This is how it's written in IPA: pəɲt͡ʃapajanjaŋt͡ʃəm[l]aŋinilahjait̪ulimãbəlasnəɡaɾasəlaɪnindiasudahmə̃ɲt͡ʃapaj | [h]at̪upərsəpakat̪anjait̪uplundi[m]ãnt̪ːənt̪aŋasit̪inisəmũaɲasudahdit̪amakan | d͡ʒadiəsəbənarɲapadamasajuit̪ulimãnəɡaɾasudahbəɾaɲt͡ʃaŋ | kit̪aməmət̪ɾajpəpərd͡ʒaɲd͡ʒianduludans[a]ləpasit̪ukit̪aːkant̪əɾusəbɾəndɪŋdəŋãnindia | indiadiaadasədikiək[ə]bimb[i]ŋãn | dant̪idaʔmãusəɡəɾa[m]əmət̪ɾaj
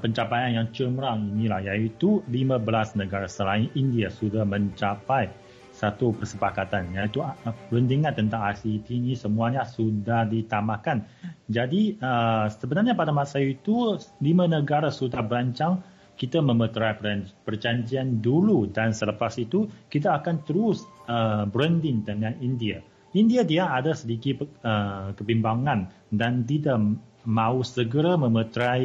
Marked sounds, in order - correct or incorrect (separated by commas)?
incorrect, incorrect, incorrect, incorrect, correct, incorrect, correct